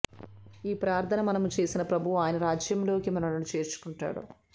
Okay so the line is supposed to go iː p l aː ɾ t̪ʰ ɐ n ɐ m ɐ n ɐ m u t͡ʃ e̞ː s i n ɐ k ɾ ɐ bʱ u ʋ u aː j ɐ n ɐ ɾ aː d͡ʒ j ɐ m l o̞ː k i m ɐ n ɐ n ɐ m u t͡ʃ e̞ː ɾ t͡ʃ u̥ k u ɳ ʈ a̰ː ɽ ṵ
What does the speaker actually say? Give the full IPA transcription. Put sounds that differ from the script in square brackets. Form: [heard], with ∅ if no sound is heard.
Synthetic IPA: iː p [ɾ] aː ɾ t̪ʰ ɐ n ɐ m ɐ n ɐ m u t͡ʃ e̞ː s i n ɐ [p] ɾ ɐ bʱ u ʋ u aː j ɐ n ɐ ɾ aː d͡ʒ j ɐ m l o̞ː k i m ɐ n ɐ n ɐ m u t͡ʃ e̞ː ɾ t͡ʃ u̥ k u ɳ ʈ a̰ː ɽ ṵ